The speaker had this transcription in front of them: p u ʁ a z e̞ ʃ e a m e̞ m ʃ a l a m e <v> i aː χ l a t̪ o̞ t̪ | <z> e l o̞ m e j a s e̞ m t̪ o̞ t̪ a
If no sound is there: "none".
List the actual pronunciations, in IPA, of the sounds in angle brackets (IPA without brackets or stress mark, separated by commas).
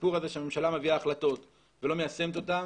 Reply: v, v